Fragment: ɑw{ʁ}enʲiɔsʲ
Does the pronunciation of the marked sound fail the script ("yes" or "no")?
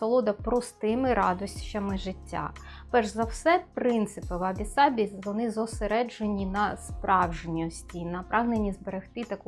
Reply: yes